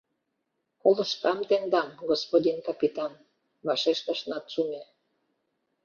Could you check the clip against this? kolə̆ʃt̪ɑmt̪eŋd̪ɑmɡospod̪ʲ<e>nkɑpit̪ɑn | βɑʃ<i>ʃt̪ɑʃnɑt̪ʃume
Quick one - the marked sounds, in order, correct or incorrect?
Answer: incorrect, incorrect

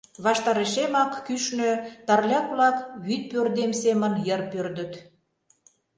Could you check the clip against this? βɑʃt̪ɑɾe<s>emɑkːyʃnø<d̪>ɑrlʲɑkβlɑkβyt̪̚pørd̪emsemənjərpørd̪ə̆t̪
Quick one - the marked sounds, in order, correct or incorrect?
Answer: incorrect, incorrect

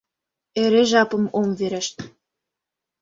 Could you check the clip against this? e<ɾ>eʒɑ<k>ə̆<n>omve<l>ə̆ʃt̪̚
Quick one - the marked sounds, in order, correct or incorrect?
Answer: correct, incorrect, incorrect, incorrect

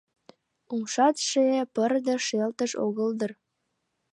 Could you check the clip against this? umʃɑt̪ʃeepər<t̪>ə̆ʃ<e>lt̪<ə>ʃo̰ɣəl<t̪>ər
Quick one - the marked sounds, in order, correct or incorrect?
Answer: incorrect, correct, correct, incorrect

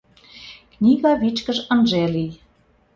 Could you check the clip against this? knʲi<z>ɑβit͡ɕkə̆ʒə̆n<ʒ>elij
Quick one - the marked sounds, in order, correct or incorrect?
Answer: incorrect, correct

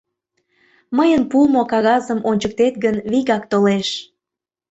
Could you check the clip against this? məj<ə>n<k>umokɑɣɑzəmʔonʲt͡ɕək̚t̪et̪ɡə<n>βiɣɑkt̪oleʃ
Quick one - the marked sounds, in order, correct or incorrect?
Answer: correct, incorrect, correct

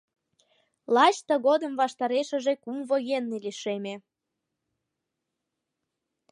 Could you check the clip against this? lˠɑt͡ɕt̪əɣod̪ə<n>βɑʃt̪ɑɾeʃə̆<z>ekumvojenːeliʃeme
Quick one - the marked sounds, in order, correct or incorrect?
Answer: incorrect, incorrect

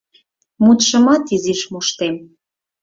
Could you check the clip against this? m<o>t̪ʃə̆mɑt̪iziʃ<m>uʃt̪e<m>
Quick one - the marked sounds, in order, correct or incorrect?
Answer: incorrect, correct, correct

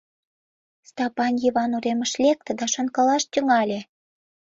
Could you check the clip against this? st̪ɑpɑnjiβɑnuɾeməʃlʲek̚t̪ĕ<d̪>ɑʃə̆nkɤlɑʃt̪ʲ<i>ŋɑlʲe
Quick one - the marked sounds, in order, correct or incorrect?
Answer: correct, incorrect

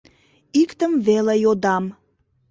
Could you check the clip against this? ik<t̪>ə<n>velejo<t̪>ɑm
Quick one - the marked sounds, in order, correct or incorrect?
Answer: correct, incorrect, incorrect

